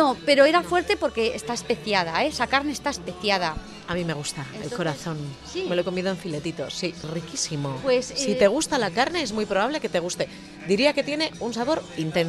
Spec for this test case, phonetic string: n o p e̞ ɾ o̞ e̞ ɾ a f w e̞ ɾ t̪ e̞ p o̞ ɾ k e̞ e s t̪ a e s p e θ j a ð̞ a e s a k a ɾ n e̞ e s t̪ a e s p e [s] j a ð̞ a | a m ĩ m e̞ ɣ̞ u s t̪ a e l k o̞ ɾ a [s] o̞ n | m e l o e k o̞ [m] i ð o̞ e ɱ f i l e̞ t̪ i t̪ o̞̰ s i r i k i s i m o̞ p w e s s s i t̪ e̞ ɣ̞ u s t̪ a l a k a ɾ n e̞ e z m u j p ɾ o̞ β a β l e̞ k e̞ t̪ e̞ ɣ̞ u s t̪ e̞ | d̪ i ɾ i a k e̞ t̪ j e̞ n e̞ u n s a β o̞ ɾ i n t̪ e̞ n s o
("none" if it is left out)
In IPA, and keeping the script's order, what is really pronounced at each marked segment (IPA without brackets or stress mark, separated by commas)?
θ, θ, m